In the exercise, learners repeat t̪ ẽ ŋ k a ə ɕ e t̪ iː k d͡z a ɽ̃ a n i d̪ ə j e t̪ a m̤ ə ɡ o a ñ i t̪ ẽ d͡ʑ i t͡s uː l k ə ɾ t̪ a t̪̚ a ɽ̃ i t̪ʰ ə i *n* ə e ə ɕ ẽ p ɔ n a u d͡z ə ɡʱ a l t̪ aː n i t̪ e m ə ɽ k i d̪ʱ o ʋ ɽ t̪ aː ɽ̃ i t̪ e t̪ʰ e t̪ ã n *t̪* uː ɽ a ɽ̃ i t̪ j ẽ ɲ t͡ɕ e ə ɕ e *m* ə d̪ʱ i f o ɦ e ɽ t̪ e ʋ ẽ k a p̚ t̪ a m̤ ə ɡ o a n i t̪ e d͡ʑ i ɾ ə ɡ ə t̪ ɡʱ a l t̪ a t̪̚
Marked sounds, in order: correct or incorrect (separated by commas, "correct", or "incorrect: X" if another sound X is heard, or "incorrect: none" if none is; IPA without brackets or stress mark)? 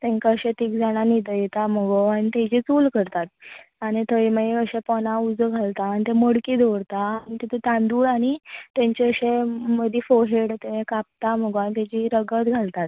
incorrect: m, incorrect: d̪, correct